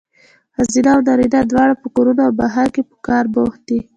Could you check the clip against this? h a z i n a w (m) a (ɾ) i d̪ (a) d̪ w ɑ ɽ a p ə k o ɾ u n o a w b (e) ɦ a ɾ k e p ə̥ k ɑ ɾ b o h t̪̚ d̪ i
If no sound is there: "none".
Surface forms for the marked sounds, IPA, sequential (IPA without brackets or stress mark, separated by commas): n, ɾ, a, a